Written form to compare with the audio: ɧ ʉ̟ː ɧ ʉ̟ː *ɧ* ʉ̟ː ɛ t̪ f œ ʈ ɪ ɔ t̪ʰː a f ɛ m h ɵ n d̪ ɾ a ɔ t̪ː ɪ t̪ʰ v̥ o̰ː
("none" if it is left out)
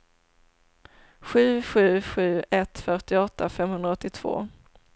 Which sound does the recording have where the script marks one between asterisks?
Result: ɧ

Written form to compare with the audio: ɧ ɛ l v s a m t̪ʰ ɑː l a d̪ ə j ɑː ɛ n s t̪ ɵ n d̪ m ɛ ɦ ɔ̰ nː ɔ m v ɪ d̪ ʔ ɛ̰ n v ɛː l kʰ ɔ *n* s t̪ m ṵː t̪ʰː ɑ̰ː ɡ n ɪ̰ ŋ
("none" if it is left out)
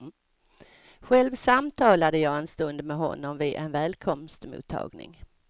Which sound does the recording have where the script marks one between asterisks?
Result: m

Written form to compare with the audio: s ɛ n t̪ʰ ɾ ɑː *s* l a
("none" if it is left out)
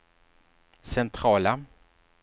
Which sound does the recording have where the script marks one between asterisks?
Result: none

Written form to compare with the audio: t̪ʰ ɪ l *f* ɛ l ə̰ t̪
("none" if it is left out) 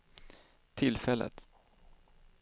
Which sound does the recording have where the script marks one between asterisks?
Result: f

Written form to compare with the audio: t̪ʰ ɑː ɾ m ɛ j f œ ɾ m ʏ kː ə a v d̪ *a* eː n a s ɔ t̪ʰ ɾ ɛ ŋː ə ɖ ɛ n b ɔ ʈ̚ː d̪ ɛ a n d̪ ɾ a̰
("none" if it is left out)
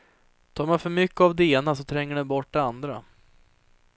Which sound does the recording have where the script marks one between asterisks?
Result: ɛ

